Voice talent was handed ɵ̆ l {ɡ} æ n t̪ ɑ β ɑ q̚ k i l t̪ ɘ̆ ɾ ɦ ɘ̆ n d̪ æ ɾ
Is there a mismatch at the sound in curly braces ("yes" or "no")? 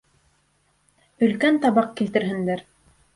yes